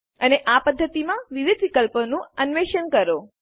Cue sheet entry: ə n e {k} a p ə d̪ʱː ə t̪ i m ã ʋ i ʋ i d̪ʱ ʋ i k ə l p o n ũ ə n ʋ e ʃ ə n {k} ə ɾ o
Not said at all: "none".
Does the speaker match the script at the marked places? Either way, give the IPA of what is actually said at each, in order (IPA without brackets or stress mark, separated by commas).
ʔ, k